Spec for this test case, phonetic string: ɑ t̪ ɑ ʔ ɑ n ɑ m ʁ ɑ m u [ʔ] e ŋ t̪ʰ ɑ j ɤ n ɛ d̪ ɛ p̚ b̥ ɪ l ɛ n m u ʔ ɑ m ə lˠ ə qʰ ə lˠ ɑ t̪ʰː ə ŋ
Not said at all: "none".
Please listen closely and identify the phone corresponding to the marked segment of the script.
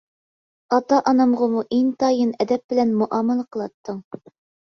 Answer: ʔ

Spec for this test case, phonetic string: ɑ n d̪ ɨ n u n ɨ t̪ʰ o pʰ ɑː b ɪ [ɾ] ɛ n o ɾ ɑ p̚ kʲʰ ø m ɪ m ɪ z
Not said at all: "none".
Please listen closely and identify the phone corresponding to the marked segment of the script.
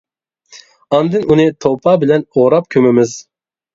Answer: l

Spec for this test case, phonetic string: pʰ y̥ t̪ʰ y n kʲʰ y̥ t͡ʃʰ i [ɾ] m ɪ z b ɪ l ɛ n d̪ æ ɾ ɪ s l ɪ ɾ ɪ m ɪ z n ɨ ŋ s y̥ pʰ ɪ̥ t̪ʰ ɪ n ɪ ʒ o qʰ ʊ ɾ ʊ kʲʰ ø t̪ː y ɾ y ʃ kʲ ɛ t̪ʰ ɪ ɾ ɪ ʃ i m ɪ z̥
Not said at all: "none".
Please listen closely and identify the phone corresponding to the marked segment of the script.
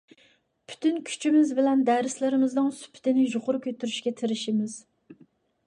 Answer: none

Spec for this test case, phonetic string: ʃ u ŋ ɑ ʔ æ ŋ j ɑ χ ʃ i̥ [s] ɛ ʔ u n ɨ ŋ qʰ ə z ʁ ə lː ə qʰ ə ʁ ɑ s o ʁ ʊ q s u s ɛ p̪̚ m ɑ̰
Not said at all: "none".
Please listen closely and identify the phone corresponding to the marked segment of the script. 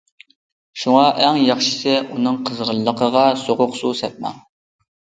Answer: s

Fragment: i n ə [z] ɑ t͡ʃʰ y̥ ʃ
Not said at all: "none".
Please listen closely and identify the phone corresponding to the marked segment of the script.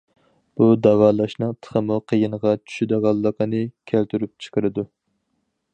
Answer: ʁ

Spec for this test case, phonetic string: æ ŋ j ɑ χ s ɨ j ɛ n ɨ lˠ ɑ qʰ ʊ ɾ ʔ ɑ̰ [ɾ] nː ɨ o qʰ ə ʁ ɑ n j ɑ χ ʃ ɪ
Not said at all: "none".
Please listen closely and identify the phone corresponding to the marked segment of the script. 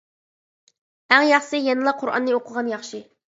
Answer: none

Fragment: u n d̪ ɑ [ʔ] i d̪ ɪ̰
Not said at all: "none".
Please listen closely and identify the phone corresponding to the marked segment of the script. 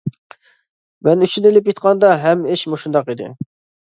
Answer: q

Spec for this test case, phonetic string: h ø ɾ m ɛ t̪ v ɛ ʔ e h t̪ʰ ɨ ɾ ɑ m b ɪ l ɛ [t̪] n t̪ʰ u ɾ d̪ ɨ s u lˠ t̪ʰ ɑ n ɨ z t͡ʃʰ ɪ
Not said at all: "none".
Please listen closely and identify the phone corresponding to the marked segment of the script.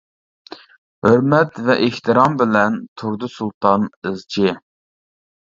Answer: none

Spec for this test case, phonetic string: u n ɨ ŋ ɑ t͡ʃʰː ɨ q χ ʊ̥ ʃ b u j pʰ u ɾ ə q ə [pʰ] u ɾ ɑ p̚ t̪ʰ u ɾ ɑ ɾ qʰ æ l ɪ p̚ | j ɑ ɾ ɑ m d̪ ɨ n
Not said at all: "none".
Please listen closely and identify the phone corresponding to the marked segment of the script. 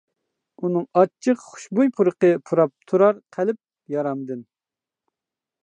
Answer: pʰ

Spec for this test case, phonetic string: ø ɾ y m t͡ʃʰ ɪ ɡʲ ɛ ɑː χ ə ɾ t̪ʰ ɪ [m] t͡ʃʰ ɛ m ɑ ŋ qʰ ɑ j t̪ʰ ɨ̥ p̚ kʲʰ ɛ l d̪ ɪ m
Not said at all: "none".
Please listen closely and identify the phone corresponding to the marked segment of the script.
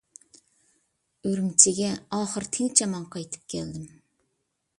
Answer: ŋ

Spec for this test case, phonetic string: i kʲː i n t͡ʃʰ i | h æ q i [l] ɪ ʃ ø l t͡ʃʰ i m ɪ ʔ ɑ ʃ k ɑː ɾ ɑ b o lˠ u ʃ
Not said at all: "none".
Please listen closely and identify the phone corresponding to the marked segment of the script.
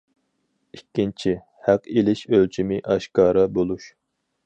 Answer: l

